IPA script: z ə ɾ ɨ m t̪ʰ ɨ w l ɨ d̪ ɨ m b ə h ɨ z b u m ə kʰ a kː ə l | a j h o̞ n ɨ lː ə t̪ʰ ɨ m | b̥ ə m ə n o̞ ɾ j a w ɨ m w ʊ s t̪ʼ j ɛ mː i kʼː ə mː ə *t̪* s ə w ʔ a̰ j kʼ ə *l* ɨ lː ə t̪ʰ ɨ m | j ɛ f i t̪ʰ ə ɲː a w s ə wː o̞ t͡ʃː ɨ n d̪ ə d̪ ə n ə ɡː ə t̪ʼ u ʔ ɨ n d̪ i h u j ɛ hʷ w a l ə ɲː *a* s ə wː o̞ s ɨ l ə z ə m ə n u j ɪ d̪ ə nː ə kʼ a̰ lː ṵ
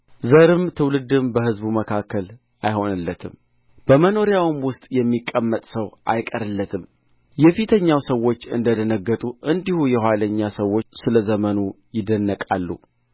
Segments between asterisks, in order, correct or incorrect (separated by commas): incorrect, incorrect, correct